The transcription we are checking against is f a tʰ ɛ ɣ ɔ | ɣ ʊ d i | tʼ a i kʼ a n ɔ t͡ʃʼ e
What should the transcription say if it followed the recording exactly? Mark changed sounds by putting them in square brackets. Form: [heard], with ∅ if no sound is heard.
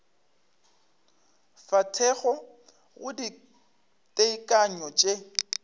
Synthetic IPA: f a tʰ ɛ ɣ ɔ | ɣ ʊ d i | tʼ [e] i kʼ a [ɲ] ɔ t͡ʃʼ e